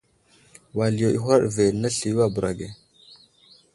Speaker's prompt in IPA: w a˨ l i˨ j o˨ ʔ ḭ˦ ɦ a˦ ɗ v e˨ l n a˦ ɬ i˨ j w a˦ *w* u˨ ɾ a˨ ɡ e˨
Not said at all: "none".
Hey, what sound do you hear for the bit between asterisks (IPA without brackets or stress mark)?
b